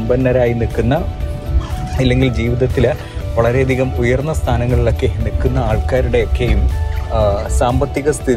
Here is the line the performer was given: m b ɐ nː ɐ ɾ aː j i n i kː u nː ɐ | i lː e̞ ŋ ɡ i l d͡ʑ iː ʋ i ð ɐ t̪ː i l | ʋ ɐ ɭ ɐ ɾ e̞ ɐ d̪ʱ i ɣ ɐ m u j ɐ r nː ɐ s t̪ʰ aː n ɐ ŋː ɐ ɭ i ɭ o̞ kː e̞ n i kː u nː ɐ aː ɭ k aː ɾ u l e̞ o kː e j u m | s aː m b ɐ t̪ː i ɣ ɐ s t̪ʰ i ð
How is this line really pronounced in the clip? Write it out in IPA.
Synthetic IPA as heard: m b ɐ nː ɐ ɾ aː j i n i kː u nː ɐ | i lː e̞ ŋ ɡ i l d͡ʑ iː ʋ i ð ɐ t̪ː i l | ʋ ɐ ɭ ɐ ɾ e̞ ɐ d̪ʱ i ɣ ɐ m u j ɐ r nː ɐ s t̪ʰ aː n ɐ ŋː ɐ ɭ i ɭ o̞ kː e̞ n i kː u nː ɐ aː ɭ k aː ɾ u ɽ e̞ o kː e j u m | s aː m b ɐ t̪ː i ɣ ɐ s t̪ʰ i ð